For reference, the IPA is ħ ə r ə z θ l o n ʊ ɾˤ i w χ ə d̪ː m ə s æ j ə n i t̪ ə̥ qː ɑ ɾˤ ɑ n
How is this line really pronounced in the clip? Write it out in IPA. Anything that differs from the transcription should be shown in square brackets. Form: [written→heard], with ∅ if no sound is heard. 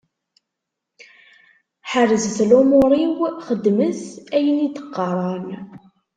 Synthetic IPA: ħ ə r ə z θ l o [n→m] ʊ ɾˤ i w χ ə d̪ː m ə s æ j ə n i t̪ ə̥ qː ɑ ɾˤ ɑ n